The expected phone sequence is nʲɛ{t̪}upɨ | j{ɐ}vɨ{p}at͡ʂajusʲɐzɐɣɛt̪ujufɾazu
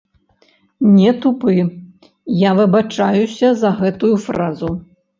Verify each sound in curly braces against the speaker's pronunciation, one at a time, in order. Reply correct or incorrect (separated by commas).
correct, incorrect, incorrect